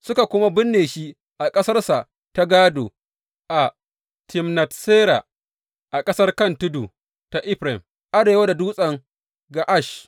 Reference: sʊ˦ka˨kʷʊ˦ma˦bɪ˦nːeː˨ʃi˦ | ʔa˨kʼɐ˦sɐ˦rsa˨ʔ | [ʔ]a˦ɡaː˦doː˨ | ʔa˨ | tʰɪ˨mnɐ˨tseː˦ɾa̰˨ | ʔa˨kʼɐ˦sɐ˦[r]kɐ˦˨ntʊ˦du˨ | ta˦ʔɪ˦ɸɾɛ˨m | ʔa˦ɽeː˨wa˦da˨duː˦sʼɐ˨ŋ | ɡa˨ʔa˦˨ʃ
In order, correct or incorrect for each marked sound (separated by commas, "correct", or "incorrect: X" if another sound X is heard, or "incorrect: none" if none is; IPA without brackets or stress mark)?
incorrect: t, correct